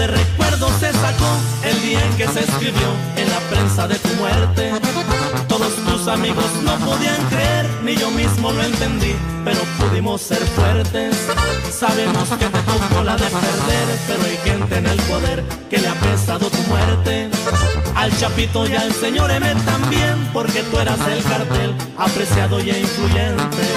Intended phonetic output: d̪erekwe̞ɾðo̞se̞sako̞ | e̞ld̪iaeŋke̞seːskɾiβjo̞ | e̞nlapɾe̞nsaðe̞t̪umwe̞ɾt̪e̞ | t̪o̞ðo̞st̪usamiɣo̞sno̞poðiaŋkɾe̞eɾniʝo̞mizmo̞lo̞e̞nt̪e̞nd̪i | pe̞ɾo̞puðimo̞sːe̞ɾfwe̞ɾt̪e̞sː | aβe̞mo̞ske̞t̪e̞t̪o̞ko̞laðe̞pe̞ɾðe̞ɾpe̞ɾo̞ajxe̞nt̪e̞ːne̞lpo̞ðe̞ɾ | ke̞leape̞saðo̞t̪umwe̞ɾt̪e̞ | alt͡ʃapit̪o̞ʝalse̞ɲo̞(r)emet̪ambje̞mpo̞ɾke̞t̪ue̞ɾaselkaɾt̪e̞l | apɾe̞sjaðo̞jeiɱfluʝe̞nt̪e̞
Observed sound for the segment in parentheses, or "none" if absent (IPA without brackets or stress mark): ɾ